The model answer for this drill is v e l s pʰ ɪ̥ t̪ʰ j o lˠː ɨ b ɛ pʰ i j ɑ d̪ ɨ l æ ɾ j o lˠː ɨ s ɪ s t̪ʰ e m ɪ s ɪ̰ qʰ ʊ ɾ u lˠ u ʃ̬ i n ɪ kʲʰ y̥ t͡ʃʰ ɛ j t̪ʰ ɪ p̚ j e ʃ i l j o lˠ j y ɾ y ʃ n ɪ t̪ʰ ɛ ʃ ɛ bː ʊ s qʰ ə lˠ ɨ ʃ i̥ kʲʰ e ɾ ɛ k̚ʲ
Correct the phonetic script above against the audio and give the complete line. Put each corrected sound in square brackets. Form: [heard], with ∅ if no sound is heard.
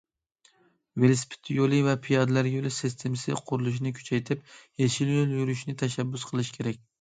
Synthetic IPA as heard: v e l s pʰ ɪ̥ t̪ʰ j o [lˠ] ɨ [v] ɛ pʰ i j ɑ d̪ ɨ l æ ɾ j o [lˠ] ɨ s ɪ s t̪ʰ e m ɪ s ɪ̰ qʰ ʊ ɾ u lˠ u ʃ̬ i n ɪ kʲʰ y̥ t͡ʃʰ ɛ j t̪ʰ ɪ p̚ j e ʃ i l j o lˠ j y ɾ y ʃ n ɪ t̪ʰ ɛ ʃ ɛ bː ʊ s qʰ ə lˠ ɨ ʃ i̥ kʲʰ e ɾ ɛ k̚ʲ